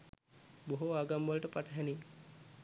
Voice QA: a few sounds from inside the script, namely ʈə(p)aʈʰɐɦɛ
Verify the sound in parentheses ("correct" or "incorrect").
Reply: correct